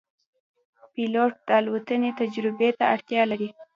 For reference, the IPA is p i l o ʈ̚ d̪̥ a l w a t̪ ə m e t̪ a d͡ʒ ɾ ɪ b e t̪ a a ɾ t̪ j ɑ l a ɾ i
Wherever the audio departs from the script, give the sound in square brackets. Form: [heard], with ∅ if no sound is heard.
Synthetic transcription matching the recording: p i l o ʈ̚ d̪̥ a l w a t̪ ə [n] e t̪ a d͡ʒ ɾ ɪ b e t̪ a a [ɽ] t̪ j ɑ l a ɾ i